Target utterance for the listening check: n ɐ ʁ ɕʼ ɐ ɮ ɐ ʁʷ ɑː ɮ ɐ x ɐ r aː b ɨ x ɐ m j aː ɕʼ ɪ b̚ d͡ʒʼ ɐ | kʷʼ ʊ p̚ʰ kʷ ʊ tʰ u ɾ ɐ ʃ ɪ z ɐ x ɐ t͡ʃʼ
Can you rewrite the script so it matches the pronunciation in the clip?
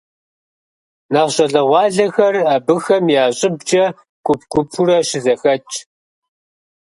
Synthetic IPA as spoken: n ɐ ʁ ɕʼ ɐ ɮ ɐ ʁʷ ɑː ɮ ɐ x ɐ r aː b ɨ x ɐ m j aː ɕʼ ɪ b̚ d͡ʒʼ ɐ | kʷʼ ʊ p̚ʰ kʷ ʊ pʰ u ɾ ɐ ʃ ɪ z ɐ x ɐ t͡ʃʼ